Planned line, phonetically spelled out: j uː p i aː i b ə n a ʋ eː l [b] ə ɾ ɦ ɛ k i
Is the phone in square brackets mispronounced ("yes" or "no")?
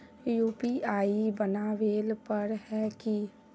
yes